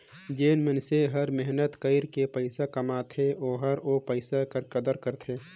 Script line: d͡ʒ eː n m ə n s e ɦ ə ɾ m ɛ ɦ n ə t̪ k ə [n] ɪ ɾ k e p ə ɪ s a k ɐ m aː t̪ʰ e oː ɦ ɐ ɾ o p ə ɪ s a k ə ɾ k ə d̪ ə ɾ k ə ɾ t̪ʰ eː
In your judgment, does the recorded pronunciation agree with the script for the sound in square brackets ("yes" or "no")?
no